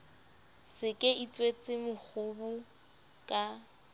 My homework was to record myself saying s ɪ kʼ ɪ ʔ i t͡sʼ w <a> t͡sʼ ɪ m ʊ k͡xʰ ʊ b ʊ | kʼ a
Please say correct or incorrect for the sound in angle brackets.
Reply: incorrect: e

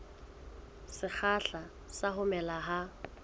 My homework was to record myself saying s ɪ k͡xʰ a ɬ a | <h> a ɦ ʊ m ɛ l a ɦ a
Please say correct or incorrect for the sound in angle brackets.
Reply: incorrect: s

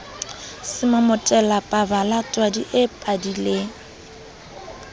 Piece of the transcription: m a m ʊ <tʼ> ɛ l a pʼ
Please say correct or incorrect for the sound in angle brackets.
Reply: correct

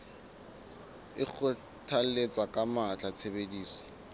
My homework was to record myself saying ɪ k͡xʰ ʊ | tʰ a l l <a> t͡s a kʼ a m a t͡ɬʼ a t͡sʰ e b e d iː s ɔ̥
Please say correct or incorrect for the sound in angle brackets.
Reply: incorrect: e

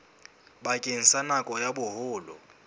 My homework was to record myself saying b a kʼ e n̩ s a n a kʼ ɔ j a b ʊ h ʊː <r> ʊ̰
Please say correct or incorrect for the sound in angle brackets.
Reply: incorrect: l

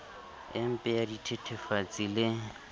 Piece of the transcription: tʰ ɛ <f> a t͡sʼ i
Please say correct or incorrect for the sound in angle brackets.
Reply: correct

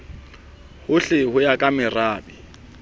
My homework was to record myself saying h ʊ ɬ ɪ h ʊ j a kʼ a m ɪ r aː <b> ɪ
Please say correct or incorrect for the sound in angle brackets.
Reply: correct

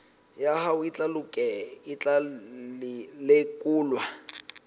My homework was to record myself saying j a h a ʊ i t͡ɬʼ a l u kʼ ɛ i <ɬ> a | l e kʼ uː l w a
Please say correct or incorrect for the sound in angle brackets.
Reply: incorrect: t͡ɬ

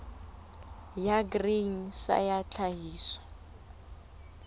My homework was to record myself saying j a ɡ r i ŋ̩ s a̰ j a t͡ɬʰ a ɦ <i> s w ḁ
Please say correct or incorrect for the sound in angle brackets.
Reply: incorrect: iː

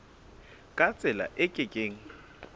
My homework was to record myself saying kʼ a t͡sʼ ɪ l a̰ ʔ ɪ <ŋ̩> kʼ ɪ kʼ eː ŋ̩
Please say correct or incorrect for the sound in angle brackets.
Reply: incorrect: none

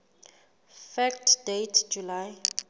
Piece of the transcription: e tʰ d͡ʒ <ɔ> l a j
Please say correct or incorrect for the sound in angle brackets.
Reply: incorrect: u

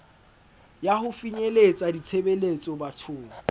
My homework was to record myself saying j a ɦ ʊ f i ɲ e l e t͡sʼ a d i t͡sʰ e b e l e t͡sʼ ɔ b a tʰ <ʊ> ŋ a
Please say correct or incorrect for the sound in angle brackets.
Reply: incorrect: ʊː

